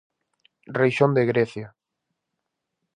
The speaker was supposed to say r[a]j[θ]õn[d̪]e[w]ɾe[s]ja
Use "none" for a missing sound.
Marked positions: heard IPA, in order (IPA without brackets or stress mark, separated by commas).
e, ʃ, d̪, ɣ, θ